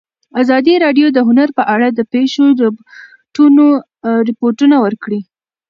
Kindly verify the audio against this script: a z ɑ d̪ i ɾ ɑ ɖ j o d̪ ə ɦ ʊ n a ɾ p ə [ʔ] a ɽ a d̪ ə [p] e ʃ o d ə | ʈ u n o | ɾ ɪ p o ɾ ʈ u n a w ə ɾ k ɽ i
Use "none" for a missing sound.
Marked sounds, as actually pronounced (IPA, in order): ʔ, p

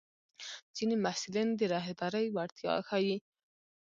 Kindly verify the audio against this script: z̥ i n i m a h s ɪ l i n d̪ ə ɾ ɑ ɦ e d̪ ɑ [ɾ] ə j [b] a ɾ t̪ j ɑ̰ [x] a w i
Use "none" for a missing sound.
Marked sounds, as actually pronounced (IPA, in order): ɾ, w, x

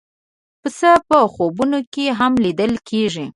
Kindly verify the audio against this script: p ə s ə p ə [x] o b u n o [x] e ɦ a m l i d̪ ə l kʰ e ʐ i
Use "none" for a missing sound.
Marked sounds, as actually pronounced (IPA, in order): x, k

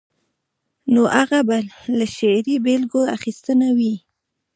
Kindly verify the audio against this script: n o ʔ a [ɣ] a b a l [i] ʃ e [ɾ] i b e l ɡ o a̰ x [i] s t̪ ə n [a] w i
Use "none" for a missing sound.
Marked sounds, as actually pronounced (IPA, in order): ɣ, a, ɾ, i, a

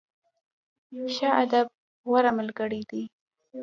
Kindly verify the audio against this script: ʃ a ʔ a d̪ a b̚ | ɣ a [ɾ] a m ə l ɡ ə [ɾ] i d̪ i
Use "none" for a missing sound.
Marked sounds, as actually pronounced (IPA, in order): ɾ, ɽ

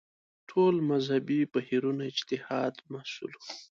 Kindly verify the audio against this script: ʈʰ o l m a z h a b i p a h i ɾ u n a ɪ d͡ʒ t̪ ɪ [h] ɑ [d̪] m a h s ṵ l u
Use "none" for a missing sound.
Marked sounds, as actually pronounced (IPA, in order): h, d̪

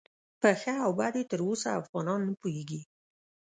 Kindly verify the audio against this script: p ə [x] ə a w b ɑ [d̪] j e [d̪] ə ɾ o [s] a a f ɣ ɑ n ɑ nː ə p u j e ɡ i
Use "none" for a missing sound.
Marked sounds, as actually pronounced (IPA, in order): x, d̪, t̪, s

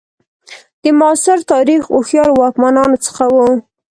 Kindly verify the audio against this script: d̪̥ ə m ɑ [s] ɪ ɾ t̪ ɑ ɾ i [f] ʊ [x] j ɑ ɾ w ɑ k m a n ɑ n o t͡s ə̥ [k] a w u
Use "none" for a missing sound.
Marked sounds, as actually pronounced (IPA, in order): s, x, x, x

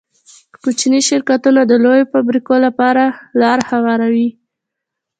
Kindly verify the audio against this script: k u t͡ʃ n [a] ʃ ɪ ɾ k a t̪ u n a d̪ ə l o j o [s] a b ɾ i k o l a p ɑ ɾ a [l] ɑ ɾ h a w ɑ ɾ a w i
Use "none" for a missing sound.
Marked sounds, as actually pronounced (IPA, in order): i, f, l

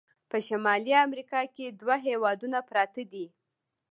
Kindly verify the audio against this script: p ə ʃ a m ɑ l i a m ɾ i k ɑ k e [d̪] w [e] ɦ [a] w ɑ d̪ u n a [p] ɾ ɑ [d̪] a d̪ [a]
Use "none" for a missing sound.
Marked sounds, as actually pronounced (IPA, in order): d̪, a, e, p, t̪, i

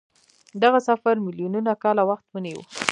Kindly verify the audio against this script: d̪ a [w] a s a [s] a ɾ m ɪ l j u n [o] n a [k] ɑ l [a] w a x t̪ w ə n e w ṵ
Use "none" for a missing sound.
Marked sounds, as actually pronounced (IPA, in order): ɣ, f, u, k, a

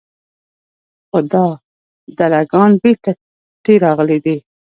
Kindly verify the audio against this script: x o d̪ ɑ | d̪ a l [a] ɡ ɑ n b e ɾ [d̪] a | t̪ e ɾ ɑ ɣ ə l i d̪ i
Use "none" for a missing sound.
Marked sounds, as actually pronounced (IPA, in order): a, t̪

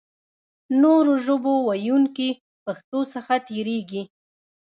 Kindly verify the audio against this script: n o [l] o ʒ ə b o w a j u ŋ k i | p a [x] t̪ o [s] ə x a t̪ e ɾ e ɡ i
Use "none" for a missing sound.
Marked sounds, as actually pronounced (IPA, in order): ɾ, x, s

